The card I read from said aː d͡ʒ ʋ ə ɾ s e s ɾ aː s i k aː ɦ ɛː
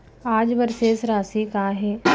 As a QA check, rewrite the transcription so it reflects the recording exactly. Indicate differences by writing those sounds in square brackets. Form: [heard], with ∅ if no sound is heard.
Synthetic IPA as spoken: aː d͡ʒ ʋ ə ɾ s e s ɾ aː s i k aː ɦ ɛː